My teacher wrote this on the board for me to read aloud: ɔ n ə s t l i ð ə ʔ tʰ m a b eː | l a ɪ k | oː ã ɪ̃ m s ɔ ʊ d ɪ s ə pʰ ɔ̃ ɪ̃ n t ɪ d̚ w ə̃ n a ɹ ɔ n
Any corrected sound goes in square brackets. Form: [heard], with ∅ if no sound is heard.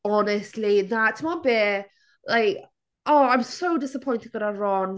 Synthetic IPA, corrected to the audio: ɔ n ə s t l i ð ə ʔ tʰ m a b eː | l a ɪ k | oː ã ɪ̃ m s [o] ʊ d ɪ s ə pʰ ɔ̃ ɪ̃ n t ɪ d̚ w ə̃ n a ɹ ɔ n